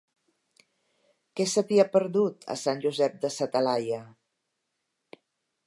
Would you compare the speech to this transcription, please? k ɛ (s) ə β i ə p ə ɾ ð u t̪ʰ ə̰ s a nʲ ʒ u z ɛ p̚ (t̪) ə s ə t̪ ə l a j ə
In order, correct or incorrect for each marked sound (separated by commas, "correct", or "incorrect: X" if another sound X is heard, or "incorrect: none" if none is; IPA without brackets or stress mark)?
correct, incorrect: d̪